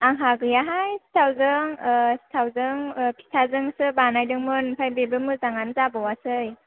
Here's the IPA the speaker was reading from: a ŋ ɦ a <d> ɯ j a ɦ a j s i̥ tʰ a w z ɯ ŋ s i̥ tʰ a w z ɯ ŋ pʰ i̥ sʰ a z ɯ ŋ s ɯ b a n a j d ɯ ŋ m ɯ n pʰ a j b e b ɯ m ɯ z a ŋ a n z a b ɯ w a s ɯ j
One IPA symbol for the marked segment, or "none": ɡ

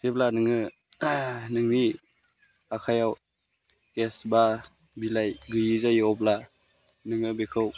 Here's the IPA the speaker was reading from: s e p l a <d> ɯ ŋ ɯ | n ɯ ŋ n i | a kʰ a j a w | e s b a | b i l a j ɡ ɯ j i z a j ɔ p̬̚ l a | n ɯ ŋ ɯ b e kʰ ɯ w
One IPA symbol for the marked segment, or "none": n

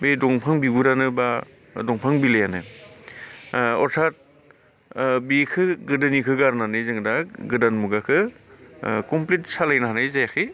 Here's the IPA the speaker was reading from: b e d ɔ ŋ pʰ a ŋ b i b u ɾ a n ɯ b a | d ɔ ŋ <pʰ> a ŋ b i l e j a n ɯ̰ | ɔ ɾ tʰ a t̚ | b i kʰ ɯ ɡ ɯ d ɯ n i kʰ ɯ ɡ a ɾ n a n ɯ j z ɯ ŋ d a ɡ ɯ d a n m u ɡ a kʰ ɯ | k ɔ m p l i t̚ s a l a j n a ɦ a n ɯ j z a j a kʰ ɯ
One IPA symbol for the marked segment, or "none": pʰ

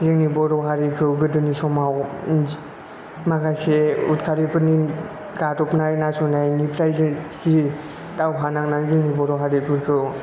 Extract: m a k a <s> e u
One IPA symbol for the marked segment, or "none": s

